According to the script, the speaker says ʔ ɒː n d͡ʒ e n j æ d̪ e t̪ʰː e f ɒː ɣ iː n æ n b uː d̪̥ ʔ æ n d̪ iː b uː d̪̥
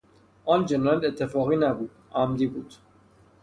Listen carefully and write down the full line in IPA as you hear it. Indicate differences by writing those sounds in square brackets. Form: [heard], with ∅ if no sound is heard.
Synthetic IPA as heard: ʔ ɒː n d͡ʒ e n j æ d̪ e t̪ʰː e f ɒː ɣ iː n æ [∅] b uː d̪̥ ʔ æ [m] d̪ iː b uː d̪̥